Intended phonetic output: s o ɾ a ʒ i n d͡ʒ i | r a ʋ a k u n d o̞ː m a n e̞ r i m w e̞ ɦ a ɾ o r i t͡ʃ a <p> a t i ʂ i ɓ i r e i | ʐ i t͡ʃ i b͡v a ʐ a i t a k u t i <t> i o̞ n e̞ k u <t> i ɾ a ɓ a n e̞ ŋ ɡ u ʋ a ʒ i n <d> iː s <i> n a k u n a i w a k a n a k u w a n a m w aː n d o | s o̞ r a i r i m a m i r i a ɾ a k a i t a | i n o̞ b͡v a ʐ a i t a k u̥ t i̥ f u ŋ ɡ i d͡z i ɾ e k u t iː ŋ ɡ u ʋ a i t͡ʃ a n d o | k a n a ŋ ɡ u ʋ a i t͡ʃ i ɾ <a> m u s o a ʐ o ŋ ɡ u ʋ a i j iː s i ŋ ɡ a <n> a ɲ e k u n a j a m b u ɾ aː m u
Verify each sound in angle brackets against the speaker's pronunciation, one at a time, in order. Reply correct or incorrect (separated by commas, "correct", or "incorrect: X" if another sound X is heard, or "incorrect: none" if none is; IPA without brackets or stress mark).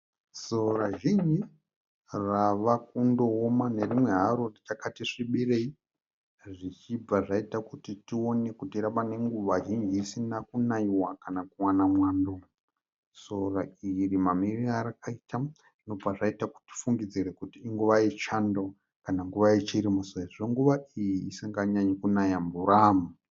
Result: incorrect: k, correct, correct, incorrect: d͡ʒ, correct, incorrect: i, incorrect: ɲ